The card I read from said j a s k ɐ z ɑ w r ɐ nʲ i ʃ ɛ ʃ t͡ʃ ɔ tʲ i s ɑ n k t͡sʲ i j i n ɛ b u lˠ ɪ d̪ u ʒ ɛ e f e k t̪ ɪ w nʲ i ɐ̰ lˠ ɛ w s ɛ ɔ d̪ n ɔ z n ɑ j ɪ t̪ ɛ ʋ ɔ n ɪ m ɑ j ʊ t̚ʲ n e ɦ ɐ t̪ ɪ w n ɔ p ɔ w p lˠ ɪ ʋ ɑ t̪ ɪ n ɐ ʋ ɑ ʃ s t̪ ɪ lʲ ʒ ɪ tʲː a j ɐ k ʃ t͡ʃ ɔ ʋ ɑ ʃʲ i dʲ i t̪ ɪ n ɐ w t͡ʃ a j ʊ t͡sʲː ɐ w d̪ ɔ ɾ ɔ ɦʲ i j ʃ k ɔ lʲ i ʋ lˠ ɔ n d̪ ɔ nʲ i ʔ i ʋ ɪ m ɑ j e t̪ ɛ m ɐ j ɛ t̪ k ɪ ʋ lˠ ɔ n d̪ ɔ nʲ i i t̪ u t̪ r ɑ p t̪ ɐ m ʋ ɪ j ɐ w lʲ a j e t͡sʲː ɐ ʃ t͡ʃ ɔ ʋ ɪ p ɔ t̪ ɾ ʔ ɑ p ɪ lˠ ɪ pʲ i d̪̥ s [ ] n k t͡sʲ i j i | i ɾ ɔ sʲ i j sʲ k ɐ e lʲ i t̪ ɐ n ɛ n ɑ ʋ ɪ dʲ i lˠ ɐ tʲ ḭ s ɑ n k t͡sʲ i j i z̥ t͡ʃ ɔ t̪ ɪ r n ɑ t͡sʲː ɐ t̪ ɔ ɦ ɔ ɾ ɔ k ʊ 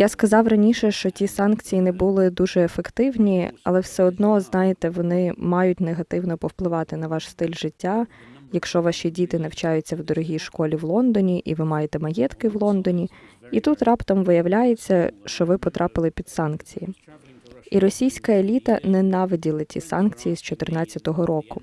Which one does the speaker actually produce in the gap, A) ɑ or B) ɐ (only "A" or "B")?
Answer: A